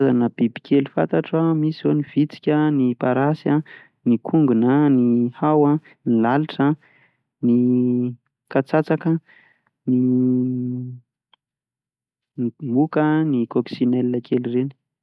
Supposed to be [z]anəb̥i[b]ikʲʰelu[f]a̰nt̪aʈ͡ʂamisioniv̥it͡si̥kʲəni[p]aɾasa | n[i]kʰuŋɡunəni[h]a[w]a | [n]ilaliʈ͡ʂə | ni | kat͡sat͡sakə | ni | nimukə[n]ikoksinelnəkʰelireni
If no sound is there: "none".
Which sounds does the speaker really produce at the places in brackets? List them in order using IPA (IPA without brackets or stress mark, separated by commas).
z, b, f, p, i, h, w, n, n